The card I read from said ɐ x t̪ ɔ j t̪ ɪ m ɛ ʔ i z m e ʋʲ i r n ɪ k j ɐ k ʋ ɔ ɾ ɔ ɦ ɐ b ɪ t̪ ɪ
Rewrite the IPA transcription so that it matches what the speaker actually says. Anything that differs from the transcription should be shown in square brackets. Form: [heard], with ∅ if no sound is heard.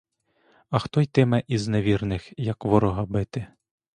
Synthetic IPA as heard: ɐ x t̪ ɔ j t̪ ɪ m ɛ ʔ i z [n] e ʋʲ i r n ɪ [x] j ɐ k ʋ ɔ ɾ ɔ ɦ ɐ b ɪ t̪ ɪ